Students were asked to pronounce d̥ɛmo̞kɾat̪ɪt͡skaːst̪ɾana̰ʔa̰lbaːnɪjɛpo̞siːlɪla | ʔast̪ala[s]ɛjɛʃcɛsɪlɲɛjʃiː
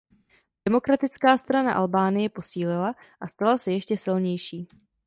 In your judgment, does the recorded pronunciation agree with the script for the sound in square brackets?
yes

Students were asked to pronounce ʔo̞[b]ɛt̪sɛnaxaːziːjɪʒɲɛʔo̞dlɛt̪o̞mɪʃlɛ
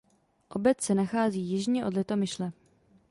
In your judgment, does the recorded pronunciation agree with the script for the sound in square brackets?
yes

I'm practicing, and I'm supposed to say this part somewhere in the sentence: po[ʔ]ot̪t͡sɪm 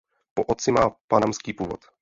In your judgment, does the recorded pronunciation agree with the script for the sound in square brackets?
yes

